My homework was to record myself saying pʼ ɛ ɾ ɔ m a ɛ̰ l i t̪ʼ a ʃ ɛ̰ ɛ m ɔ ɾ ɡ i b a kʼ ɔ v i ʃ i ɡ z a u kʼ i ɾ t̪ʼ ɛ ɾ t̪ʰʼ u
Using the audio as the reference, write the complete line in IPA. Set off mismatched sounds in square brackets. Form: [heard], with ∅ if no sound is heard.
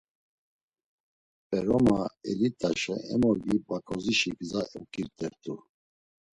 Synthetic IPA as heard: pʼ ɛ ɾ ɔ m a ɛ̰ l i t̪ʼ a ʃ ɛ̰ ɛ m ɔ ɾ ɡ i b a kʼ ɔ [z] i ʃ i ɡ z a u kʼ i ɾ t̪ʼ ɛ ɾ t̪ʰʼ u